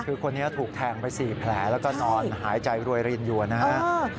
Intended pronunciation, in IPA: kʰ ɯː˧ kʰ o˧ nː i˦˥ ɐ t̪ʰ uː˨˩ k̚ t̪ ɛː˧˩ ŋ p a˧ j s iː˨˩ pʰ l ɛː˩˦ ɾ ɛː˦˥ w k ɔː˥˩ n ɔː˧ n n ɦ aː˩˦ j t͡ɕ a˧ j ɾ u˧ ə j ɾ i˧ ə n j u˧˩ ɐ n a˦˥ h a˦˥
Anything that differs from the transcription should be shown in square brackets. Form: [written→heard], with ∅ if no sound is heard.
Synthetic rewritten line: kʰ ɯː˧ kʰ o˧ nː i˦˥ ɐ t̪ʰ uː˨˩ k̚ [t̪→t̪ʰ] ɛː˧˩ ŋ p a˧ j s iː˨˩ pʰ l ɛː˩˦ [ɾ→l] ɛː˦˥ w k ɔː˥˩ n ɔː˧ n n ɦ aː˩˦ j t͡ɕ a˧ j ɾ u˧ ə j ɾ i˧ ə n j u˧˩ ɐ n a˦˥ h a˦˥